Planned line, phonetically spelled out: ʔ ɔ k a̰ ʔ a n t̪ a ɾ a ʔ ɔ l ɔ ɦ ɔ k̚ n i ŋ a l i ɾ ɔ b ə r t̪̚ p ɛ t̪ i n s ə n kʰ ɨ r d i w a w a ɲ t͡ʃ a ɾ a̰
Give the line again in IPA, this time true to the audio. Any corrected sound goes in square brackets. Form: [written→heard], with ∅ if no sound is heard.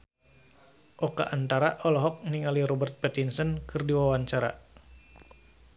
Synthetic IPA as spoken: ʔ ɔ k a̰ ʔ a n t̪ a ɾ a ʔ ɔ l ɔ ɦ ɔ k̚ n i ŋ a l i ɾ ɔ b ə r t̪̚ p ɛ t̪ i n s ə n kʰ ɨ r d i w a w a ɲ t͡ʃ a ɾ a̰